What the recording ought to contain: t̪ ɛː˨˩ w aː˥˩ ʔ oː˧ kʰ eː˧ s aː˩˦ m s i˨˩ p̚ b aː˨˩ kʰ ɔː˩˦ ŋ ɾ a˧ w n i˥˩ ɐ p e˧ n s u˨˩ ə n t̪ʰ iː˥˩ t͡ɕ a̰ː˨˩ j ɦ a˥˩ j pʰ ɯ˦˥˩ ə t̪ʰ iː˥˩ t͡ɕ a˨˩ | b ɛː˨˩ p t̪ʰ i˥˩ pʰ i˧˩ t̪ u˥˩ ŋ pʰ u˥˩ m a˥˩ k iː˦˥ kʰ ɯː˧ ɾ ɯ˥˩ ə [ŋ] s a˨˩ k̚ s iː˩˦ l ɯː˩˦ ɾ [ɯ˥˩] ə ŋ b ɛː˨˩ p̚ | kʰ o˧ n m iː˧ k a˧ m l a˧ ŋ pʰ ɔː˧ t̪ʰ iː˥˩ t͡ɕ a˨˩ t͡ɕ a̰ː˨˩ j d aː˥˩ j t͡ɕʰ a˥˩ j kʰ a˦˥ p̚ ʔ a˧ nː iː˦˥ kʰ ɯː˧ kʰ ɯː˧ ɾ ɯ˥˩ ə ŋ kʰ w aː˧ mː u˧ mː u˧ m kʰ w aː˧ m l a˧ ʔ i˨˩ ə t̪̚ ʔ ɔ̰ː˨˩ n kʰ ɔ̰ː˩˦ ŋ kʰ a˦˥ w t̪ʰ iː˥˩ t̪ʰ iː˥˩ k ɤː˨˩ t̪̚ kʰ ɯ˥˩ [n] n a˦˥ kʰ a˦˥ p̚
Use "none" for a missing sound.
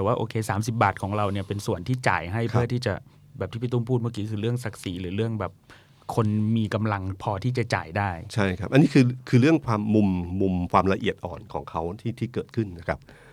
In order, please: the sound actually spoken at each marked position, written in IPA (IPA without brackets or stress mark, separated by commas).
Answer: ŋ, ɯ˥˩, n